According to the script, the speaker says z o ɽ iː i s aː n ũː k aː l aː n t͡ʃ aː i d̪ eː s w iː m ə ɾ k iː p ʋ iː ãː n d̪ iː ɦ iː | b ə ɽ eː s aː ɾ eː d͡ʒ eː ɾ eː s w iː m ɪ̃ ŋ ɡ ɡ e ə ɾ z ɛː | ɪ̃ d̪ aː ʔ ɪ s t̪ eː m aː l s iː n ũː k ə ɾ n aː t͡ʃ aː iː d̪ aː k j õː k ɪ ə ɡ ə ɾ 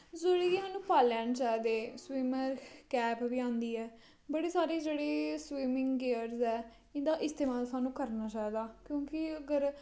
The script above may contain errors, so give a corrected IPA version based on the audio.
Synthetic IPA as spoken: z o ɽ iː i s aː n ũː p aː l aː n t͡ʃ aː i d̪ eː s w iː m ə ɾ k ɛː p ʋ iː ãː n d̪ iː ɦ ɛː | b ə ɽ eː s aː ɾ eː d͡ʒ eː ɽ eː s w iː m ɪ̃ ŋ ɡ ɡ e ə ɾ z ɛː | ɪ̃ d̪ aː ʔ ɪ s t̪ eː m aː l s aː n ũː k ə ɾ n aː t͡ʃ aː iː d̪ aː k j õː k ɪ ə ɡ ə ɾ